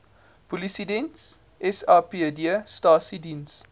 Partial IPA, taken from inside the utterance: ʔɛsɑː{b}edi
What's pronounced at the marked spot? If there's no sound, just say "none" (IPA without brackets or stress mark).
p